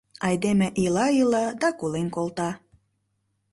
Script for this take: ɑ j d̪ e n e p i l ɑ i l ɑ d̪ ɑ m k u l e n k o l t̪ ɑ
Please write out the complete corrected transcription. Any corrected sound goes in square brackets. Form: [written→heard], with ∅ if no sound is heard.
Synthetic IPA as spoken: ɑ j d̪ e [n→m] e [p→ʔ] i l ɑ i l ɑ d̪ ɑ [m→∅] k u l e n k o l t̪ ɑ